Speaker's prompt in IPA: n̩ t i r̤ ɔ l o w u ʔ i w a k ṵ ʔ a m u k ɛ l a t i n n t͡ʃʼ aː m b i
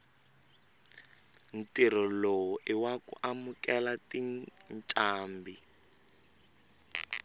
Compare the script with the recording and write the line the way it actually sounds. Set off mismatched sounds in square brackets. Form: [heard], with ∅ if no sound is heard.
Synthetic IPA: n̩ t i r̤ ɔ l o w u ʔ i w a k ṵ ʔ a m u k ɛ l a t i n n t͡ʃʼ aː m b i